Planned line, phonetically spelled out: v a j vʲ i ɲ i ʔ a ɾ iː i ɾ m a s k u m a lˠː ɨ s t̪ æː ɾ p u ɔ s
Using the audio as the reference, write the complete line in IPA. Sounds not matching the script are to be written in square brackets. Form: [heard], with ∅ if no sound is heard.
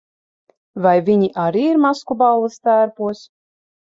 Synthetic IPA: v a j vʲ i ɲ i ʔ a ɾ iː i ɾ m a s k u [b] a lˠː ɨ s t̪ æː ɾ p u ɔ s